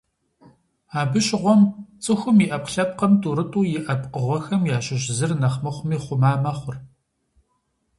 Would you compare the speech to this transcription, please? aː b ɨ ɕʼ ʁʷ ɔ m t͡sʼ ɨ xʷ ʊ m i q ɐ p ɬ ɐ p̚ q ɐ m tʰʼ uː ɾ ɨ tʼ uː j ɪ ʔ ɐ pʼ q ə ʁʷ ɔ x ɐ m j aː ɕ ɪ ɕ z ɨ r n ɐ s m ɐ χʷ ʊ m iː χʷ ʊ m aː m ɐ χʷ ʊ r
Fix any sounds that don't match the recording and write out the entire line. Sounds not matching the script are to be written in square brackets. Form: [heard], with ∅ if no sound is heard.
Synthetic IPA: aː b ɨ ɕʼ ʁʷ ɔ m t͡sʼ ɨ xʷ ʊ m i [ʔ] ɐ p ɬ ɐ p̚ q ɐ m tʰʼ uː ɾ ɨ tʼ uː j ɪ ʔ ɐ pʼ q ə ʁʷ ɔ x ɐ m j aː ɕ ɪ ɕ z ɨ r n ɐ [χ] m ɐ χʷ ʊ m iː χʷ ʊ m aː m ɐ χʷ ʊ r

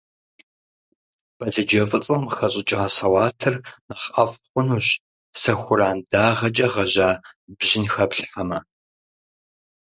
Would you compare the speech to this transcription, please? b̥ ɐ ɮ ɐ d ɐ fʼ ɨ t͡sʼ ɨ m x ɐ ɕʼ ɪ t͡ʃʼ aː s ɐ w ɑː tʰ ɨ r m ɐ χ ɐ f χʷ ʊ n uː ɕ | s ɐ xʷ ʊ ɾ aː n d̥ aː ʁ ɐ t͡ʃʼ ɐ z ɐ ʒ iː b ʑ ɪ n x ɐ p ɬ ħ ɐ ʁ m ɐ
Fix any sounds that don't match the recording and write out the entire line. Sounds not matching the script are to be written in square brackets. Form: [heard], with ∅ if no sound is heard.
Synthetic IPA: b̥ ɐ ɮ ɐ [d͡ʒ] ɐ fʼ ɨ t͡sʼ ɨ m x ɐ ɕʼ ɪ t͡ʃʼ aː s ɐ w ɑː tʰ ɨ r [n] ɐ χ ɐ f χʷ ʊ n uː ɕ | s ɐ xʷ ʊ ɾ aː n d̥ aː ʁ ɐ t͡ʃʼ ɐ [ʁ] ɐ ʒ [aː] b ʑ ɪ n x ɐ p ɬ ħ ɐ [∅] m ɐ

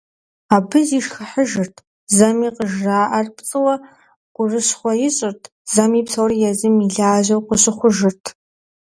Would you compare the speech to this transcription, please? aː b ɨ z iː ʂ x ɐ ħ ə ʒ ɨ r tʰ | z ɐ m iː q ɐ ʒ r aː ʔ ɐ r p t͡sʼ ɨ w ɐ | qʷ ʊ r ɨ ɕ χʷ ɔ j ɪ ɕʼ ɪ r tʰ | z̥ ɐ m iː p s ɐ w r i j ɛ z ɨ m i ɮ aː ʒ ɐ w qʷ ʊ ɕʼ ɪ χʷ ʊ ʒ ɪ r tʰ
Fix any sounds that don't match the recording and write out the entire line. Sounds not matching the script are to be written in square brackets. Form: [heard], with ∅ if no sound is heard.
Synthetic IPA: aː b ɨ z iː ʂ x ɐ ħ ə ʒ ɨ r tʰ | z ɐ m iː q [ə] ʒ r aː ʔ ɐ r p t͡sʼ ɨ w ɐ | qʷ ʊ r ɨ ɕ χʷ ɔ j ɪ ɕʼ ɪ r tʰ | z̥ ɐ m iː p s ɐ w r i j ɛ z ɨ m i ɮ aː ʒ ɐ w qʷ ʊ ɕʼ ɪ χʷ ʊ ʒ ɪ r tʰ

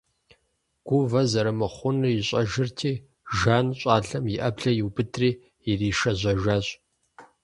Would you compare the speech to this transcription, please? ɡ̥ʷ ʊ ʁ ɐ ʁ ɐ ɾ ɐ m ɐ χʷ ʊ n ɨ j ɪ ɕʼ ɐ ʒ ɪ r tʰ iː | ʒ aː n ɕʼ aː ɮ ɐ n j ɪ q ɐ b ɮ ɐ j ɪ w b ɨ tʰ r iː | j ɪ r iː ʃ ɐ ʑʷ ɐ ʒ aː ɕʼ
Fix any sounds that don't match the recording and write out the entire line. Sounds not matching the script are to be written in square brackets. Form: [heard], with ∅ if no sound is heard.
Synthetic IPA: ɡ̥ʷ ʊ [v] ɐ [z] ɐ ɾ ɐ m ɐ χʷ ʊ n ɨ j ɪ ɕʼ ɐ ʒ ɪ r tʰ iː | ʒ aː n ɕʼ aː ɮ ɐ [m] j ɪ [ʔ] ɐ b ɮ ɐ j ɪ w b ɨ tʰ r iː | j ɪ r iː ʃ ɐ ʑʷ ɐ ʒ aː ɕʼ

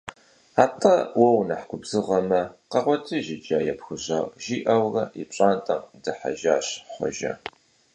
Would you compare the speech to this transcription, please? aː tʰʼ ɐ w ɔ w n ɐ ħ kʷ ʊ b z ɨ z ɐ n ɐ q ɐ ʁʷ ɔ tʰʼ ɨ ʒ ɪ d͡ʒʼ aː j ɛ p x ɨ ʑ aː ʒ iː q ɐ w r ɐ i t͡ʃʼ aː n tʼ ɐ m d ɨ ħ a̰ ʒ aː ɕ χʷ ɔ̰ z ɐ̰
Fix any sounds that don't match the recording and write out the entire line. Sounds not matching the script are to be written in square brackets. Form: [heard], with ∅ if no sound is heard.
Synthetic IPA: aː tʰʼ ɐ w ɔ w n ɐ ħ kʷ ʊ b z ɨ [ʁ] ɐ [m] ɐ q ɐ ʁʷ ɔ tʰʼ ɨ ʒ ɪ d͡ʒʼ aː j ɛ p x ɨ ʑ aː ʒ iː [ʔ] ɐ w r ɐ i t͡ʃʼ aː n tʼ ɐ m d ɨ ħ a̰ ʒ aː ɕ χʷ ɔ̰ [ʒ] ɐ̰

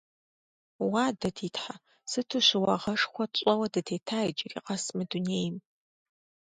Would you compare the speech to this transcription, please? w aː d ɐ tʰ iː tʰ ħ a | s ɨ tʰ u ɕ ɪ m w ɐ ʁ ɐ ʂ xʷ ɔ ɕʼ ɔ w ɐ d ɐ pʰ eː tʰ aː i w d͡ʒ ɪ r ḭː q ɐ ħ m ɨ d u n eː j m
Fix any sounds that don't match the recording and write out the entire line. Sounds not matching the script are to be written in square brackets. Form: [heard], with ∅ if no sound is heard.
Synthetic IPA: w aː d ɐ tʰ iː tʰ ħ a | s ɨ tʰ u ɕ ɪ [∅] w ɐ ʁ ɐ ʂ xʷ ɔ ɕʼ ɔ w ɐ d ɐ [tʰ] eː tʰ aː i [∅] d͡ʒ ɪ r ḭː q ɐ [s] m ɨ d u n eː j m

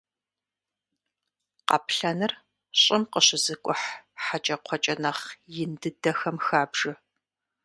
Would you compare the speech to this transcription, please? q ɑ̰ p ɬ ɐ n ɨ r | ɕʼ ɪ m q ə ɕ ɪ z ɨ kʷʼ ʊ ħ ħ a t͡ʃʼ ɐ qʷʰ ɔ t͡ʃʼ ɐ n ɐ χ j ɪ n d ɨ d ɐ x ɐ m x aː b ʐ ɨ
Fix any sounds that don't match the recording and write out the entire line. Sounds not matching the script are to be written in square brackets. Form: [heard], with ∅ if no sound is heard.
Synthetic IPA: q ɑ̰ p ɬ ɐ n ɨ r | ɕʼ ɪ m q ə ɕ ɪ z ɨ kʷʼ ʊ ħ ħ a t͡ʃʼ ɐ qʷʰ ɔ t͡ʃʼ ɐ n ɐ χ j ɪ n d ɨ d ɐ x ɐ m x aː b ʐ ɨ

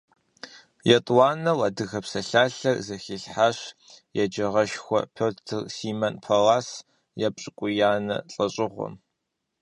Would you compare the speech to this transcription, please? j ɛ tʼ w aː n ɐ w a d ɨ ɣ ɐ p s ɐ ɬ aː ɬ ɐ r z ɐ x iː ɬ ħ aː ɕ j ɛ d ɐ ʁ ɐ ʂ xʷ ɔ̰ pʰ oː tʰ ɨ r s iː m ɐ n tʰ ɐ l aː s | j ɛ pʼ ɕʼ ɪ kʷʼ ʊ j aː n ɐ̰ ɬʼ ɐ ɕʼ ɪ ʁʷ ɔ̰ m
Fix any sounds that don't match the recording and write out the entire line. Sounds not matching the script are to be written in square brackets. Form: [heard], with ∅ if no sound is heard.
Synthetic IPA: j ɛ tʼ w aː n ɐ w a d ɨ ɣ ɐ p s ɐ ɬ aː ɬ ɐ r z ɐ x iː ɬ ħ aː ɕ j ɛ [d͡ʒ] ɐ ʁ ɐ [ʃ] xʷ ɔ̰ pʰ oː tʰ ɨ r s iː m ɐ n [pʰ] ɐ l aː s | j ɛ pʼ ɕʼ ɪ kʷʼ ʊ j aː n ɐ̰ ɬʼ ɐ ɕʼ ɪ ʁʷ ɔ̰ m

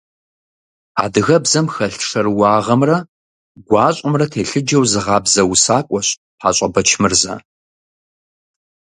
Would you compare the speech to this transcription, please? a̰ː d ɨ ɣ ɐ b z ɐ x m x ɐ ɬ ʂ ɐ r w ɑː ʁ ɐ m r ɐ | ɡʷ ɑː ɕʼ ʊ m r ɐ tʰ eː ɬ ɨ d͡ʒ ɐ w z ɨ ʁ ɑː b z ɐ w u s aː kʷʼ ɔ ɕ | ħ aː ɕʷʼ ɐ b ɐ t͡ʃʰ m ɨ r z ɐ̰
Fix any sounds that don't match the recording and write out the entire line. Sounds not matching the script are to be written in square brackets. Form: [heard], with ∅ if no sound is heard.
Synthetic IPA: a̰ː d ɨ ɣ ɐ b z ɐ [∅] m x ɐ ɬ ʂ ɐ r w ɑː ʁ ɐ m r ɐ | ɡʷ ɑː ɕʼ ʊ m r ɐ tʰ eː ɬ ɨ d͡ʒ ɐ w z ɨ ʁ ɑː b z ɐ w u s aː kʷʼ ɔ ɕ | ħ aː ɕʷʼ ɐ b ɐ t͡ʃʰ m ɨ r z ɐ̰

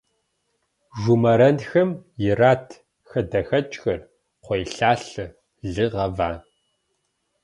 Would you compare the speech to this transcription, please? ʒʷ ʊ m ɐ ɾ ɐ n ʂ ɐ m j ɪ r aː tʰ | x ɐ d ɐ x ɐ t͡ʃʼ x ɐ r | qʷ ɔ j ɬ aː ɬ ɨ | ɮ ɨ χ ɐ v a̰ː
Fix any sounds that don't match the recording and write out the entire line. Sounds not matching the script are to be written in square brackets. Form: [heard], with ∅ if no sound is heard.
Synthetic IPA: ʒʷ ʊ m ɐ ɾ ɐ n [x] ɐ m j ɪ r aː tʰ | x ɐ d ɐ x ɐ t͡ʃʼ x ɐ r | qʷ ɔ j ɬ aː ɬ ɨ | ɮ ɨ [ʁ] ɐ v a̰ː

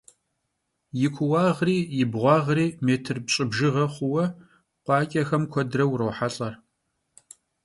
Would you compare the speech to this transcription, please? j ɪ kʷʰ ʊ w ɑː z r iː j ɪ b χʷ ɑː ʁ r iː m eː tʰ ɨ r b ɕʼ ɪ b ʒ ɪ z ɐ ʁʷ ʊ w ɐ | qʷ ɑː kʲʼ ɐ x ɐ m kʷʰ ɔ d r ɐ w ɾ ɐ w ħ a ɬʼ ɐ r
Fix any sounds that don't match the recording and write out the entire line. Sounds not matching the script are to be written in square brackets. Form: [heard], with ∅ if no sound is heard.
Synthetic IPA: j ɪ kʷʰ ʊ w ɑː [ʁ] r iː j ɪ b [ʁʷ] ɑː ʁ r iː m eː tʰ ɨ r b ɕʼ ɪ b ʒ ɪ [ʁ] ɐ [χʷ] ʊ w ɐ | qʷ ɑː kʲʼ ɐ x ɐ m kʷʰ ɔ d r ɐ w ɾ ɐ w ħ a ɬʼ ɐ r

